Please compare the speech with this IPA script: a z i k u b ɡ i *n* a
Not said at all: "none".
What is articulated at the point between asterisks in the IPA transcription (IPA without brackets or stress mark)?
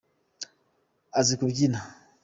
n